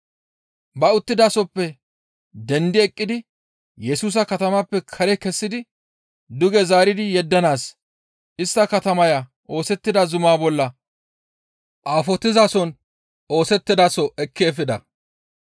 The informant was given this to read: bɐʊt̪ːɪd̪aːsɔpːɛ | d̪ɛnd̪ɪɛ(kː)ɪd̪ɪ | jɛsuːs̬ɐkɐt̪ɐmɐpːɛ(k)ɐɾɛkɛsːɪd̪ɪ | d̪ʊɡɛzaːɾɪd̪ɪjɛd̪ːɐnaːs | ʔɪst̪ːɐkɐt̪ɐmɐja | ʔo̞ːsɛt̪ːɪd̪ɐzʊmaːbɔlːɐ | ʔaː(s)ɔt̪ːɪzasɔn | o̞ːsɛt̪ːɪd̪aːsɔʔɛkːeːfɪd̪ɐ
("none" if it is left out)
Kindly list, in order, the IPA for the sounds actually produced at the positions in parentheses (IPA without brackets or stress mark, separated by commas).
kʼː, kʰ, f